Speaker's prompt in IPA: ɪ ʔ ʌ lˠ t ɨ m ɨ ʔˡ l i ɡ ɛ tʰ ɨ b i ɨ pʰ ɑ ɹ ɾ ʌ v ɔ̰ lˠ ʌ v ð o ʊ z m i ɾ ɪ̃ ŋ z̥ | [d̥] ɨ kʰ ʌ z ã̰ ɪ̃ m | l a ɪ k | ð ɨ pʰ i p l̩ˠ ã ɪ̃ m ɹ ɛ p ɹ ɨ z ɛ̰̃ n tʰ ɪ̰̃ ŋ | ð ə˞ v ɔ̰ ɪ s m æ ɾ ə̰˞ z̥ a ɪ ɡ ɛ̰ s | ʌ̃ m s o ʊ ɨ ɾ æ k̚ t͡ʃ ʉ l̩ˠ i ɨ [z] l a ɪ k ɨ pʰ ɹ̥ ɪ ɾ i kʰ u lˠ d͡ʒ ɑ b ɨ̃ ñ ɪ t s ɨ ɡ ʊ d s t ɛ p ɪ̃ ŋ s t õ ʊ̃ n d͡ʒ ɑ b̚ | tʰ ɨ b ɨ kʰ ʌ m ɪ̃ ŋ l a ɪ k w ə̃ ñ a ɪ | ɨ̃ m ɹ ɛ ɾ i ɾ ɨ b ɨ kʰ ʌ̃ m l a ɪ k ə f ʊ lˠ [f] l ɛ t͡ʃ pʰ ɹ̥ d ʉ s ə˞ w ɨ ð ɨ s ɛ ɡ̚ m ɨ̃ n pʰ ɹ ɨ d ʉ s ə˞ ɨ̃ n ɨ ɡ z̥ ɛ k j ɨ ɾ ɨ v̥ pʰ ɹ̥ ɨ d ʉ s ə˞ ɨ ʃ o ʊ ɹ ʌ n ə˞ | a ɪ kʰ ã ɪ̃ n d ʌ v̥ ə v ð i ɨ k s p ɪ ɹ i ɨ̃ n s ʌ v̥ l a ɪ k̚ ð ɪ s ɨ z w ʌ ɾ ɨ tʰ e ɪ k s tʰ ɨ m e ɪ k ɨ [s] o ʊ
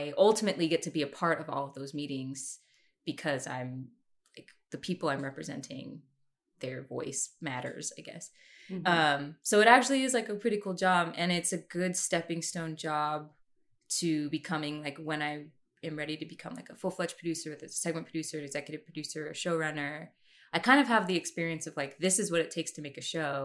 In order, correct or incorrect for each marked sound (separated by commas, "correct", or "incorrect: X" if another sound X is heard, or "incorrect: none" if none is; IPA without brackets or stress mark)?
incorrect: b̥, correct, correct, incorrect: ʃ